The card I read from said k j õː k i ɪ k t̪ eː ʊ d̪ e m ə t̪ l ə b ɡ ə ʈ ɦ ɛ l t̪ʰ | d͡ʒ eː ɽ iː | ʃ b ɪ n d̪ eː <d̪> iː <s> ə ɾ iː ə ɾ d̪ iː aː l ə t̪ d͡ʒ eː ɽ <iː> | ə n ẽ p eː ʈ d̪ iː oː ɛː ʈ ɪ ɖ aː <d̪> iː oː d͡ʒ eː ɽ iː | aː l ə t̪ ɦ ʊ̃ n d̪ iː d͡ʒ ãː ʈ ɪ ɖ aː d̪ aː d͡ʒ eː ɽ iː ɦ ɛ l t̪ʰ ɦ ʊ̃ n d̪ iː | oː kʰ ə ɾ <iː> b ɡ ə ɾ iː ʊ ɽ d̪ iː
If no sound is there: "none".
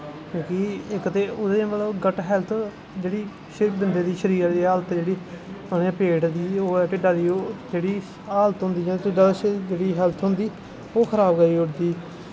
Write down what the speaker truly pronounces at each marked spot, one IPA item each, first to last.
d̪, ʃ, iː, d̪, aː

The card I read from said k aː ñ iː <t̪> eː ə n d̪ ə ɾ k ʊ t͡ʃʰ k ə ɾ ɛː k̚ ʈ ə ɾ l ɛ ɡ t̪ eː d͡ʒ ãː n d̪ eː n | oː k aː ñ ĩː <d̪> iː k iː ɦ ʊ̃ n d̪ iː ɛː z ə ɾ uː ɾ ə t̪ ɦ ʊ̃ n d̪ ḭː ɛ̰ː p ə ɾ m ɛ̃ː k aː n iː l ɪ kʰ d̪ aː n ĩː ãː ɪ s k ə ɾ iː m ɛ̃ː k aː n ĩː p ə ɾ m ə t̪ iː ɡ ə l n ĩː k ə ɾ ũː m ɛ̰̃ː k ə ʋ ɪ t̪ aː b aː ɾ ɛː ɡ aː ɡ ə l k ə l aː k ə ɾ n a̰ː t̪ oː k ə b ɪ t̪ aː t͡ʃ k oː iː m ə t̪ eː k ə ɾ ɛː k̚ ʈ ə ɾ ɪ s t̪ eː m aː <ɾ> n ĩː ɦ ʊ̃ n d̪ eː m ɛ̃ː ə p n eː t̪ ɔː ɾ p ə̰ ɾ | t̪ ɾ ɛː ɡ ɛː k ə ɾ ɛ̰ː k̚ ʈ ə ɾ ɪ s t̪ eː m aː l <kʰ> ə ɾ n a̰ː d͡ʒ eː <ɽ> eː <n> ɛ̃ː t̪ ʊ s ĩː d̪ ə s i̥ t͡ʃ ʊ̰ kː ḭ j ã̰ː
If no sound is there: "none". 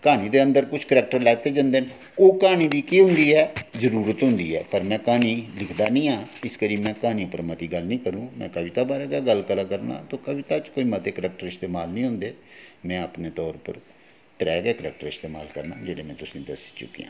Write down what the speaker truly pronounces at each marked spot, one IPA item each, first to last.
d̪, d̪, l, k, ɽ, m

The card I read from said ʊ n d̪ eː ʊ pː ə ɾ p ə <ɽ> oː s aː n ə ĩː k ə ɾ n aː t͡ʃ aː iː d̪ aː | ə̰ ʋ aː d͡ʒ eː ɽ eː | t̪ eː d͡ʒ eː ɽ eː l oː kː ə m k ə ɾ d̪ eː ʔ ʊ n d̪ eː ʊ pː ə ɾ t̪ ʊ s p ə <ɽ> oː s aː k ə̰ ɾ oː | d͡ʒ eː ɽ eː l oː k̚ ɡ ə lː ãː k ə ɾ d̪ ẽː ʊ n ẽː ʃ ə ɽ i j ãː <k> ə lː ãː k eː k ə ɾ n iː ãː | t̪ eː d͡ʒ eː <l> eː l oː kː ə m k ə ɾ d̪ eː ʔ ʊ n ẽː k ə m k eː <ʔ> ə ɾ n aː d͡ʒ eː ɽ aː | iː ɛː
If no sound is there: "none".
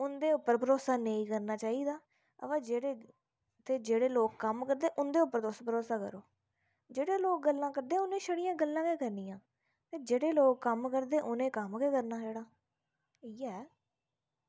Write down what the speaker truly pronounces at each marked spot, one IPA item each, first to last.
ɾ, ɾ, ɡ, ɽ, k

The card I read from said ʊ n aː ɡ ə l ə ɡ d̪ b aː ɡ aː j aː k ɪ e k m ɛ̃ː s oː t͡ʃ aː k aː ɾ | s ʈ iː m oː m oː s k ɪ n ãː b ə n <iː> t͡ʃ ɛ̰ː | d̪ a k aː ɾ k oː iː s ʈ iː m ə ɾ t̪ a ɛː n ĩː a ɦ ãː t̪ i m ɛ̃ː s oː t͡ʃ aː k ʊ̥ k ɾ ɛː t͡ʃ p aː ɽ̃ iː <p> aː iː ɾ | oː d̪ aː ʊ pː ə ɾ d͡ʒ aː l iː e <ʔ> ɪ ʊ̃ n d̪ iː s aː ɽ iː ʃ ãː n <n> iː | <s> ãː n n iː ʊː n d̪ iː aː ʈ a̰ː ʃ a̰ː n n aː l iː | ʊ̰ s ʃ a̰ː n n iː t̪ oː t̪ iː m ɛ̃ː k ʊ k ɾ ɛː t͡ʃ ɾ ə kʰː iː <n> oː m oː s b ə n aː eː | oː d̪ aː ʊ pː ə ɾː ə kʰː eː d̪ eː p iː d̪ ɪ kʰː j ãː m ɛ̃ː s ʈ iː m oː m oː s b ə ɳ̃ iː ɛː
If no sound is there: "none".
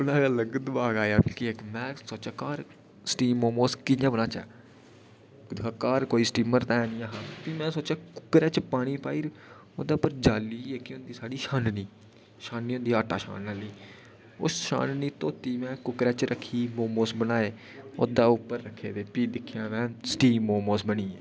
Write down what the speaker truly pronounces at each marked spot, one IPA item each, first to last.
aː, p, k, n, ʃ, m

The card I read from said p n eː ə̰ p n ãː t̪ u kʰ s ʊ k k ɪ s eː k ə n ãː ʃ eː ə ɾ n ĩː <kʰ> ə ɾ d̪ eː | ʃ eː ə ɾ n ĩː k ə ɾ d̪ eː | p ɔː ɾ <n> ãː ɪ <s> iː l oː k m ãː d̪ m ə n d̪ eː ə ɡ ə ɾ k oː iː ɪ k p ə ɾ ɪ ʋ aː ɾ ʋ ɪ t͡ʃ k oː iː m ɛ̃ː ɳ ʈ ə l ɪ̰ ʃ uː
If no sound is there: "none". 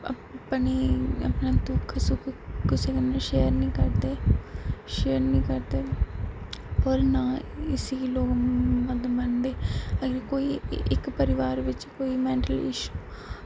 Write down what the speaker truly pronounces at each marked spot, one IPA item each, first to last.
k, n, s

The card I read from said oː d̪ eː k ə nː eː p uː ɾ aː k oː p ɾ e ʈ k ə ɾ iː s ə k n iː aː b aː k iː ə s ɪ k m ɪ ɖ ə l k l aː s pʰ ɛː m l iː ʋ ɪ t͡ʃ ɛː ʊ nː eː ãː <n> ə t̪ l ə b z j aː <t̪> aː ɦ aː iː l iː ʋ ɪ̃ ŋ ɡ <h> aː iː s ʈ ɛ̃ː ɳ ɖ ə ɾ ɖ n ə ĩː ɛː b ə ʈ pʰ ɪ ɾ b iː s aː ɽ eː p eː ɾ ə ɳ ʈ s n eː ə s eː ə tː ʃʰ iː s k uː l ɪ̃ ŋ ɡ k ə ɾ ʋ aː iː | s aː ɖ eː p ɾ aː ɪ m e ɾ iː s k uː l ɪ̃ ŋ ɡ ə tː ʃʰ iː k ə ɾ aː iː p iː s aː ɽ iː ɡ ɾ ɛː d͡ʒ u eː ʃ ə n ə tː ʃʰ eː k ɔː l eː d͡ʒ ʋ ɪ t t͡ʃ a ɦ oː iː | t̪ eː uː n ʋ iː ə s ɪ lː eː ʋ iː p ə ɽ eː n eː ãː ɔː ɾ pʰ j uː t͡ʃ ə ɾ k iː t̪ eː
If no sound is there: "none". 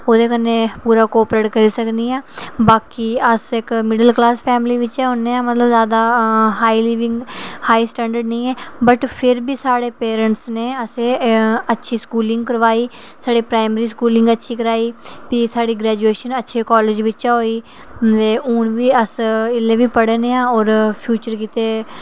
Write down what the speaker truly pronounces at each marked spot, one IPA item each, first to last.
m, d̪, h

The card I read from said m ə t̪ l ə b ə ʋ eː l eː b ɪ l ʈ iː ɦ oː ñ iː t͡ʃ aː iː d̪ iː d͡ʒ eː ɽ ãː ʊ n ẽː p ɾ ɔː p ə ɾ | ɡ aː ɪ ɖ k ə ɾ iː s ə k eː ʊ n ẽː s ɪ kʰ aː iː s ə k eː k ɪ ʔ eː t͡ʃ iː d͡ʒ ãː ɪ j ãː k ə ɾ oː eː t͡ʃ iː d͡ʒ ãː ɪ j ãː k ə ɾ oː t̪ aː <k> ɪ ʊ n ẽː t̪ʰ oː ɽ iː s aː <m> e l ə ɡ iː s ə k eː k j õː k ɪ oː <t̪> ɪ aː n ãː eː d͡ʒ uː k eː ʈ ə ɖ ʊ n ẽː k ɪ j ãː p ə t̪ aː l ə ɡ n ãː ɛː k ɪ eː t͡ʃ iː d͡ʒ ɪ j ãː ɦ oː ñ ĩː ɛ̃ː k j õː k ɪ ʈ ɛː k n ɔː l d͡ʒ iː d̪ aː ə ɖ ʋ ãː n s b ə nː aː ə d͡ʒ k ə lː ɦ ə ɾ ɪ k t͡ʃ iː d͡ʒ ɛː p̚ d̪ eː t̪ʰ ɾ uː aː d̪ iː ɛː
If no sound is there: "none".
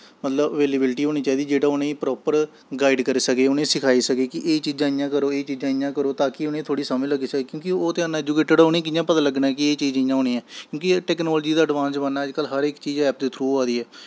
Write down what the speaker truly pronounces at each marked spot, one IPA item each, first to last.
k, m, t̪

